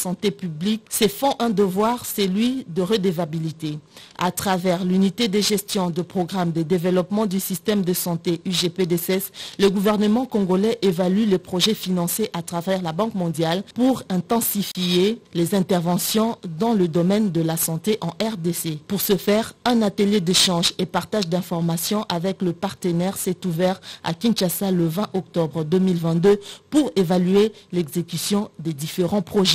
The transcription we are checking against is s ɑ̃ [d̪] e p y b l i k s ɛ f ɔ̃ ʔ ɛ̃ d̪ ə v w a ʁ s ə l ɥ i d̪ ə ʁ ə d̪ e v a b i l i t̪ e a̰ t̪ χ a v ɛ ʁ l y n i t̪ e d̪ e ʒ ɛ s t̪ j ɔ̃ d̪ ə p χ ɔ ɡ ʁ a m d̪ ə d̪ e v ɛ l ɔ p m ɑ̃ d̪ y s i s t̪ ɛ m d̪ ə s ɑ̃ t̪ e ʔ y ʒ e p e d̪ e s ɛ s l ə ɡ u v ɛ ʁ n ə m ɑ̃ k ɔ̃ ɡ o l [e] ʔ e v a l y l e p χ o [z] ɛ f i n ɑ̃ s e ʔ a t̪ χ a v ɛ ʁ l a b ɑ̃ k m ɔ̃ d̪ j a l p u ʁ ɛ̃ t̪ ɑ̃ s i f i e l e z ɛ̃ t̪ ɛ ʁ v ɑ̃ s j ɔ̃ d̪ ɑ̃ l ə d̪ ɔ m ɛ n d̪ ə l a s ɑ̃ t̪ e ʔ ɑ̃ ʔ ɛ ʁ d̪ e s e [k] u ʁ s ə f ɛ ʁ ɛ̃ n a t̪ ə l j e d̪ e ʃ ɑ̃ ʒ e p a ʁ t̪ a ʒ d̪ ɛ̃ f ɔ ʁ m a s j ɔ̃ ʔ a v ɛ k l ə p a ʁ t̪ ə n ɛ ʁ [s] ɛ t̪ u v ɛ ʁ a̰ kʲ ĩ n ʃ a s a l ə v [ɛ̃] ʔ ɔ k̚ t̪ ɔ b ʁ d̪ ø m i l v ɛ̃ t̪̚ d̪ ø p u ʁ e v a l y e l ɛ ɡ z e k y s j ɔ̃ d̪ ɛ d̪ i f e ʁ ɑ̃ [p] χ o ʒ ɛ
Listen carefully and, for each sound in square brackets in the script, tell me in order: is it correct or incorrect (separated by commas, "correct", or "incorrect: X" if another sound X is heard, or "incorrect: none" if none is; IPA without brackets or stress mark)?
incorrect: t̪, incorrect: ɛ, incorrect: ʒ, incorrect: p, correct, correct, correct